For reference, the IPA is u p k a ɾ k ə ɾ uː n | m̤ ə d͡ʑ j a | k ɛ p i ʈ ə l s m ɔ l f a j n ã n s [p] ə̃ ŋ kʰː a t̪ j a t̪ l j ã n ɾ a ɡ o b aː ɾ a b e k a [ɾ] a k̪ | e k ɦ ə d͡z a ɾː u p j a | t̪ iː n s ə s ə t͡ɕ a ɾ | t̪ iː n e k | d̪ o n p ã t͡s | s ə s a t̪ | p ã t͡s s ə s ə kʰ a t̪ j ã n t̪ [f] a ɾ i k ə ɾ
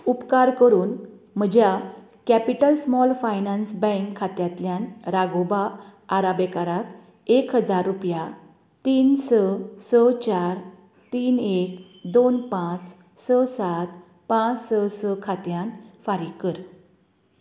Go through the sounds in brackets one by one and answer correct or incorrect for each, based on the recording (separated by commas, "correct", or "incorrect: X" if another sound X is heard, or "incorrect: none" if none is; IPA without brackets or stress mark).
incorrect: b, correct, correct